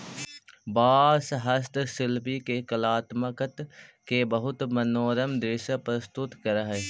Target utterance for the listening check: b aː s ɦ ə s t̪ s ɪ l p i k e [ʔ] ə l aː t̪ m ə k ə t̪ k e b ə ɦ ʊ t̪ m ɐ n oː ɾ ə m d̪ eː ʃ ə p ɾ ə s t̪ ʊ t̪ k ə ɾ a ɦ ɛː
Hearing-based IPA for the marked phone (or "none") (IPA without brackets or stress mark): k